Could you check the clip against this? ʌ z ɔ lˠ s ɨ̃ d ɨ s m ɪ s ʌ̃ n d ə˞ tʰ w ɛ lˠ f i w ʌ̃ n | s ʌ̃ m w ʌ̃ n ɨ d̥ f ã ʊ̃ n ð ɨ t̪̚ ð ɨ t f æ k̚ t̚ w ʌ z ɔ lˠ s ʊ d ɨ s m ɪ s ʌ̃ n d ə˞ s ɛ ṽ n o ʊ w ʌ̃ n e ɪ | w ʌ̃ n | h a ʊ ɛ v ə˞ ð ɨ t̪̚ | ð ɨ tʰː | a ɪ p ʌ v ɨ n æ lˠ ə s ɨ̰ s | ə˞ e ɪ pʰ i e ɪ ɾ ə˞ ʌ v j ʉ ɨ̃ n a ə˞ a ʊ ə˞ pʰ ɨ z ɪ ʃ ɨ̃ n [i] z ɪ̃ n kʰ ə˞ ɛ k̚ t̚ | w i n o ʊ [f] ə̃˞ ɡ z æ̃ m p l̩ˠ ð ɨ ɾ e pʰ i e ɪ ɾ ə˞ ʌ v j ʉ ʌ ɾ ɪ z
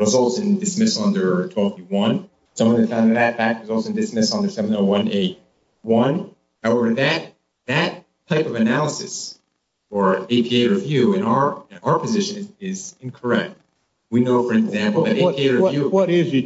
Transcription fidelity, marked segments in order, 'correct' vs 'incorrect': incorrect: ɪ, correct

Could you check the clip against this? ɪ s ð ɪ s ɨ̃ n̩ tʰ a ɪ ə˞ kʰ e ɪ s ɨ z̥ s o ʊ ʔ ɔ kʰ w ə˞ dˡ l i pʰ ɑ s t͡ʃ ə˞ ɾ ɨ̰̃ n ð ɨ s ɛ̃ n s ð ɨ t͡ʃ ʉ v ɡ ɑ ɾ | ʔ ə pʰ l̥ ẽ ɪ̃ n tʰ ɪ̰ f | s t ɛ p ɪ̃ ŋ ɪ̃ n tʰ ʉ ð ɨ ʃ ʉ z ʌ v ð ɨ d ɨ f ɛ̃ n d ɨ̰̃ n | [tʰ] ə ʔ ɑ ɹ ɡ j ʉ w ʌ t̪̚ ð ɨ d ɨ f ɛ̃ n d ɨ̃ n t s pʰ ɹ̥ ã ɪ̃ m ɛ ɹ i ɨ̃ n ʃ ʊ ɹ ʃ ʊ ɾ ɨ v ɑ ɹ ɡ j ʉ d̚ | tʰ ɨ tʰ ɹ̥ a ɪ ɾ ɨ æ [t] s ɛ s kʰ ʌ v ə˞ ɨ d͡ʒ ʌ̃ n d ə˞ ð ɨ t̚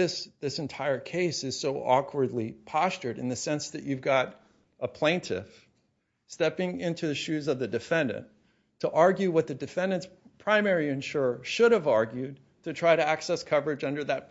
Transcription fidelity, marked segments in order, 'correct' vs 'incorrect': correct, incorrect: k

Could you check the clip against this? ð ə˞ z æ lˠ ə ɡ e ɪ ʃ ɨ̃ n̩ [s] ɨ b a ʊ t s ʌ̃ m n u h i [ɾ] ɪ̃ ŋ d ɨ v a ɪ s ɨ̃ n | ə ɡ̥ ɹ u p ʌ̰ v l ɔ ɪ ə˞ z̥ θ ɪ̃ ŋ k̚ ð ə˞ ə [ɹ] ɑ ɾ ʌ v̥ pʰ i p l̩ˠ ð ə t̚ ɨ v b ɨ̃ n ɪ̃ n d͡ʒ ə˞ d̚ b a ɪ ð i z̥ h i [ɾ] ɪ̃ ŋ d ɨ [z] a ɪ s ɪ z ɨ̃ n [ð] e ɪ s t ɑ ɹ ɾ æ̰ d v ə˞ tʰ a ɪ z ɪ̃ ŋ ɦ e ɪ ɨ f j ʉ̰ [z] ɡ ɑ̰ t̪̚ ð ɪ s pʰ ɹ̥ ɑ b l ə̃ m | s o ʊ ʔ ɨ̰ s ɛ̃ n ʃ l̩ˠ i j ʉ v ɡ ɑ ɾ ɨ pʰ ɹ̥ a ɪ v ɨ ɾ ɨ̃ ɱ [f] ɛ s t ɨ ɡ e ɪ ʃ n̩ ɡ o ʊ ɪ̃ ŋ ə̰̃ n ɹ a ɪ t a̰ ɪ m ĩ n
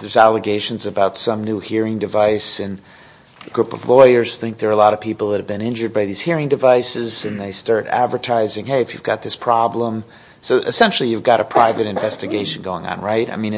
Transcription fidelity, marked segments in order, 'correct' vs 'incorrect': incorrect: z, incorrect: ɹ, incorrect: l, incorrect: ɹ, incorrect: v, correct, incorrect: v, incorrect: v

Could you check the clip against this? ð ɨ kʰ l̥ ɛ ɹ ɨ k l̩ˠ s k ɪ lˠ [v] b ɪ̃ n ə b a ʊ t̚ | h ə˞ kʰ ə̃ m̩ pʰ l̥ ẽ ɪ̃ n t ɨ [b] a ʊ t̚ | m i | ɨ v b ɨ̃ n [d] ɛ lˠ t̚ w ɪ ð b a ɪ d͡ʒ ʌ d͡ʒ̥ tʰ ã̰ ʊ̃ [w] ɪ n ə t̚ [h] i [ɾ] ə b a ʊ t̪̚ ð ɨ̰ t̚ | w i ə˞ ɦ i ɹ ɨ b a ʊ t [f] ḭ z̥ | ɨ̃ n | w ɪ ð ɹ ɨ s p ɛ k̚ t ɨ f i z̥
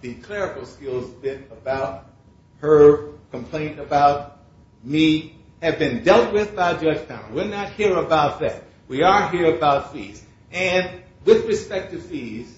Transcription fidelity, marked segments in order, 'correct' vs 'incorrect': incorrect: z, correct, correct, correct, correct, incorrect: ɹ, correct

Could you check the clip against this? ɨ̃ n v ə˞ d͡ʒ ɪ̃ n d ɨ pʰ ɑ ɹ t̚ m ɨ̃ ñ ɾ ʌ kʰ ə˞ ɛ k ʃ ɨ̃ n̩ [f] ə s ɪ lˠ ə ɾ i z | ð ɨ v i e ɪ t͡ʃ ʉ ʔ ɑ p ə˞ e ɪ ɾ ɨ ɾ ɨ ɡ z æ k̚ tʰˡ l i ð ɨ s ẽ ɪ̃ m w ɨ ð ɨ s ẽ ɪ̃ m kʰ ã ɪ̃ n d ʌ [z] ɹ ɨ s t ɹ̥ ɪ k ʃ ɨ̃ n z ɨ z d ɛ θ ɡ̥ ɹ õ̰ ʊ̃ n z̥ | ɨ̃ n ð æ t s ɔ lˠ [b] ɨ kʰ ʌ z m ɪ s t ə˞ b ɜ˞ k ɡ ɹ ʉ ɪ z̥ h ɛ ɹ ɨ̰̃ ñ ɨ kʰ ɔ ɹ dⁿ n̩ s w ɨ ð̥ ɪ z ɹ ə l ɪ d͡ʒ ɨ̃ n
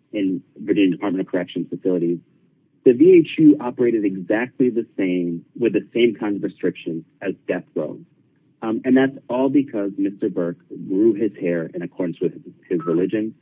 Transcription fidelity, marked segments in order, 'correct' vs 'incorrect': correct, incorrect: v, correct

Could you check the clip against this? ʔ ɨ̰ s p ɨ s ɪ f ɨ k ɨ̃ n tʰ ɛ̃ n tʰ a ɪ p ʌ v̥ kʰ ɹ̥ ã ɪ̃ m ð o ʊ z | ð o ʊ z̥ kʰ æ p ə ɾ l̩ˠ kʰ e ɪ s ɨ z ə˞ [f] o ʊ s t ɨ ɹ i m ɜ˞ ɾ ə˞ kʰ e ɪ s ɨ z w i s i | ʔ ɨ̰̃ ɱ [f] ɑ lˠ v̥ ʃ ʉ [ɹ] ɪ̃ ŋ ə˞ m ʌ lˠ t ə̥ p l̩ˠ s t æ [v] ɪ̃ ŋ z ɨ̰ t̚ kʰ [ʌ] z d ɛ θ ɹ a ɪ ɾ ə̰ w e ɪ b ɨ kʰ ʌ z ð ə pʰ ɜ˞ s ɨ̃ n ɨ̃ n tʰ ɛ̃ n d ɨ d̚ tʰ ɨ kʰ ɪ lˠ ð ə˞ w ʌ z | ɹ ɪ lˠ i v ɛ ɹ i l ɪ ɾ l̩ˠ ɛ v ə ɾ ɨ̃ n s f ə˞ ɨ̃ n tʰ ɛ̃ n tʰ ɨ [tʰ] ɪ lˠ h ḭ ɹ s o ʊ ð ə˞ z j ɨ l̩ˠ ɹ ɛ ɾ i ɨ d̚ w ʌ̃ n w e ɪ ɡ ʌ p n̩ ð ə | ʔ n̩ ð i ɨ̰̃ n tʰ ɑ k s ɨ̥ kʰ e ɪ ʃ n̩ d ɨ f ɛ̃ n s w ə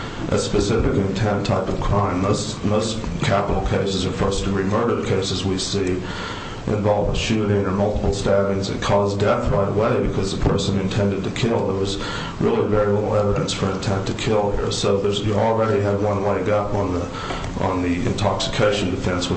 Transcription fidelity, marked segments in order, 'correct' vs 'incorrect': correct, incorrect: v, incorrect: ɾ, correct, incorrect: ɔ, incorrect: kʰ

